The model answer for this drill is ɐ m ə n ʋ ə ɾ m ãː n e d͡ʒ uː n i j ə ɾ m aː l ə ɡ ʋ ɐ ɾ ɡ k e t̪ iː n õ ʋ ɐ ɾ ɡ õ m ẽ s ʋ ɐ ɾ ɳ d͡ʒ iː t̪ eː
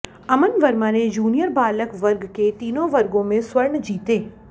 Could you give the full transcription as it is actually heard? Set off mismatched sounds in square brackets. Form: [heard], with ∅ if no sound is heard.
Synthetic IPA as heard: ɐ m ə n ʋ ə ɾ m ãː n e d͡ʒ uː n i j ə ɾ [b] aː l ə [k] ʋ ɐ ɾ ɡ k e t̪ iː n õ ʋ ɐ ɾ ɡ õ m ẽ s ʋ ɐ ɾ ɳ d͡ʒ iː t̪ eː